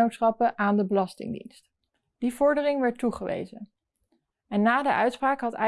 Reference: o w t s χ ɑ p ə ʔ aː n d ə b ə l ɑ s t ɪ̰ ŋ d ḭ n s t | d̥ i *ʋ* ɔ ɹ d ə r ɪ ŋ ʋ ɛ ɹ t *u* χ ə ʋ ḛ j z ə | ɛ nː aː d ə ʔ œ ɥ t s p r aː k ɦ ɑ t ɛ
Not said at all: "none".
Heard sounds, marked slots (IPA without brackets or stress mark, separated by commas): v, u